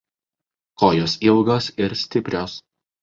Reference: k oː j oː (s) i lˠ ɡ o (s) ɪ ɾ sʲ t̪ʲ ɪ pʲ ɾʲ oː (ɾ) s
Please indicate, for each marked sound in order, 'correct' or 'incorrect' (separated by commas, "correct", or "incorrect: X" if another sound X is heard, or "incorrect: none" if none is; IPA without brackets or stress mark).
correct, correct, incorrect: none